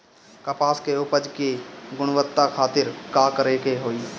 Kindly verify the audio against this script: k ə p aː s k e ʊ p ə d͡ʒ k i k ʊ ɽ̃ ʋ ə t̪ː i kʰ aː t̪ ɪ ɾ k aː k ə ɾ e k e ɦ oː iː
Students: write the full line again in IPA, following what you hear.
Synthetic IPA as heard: k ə p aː s k e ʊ p ə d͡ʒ k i ɡ ʊ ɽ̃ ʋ ə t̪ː a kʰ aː t̪ ɪ ɾ k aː k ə ɾ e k e ɦ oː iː